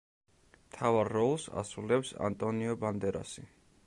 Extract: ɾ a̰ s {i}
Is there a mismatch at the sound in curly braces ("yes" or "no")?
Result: no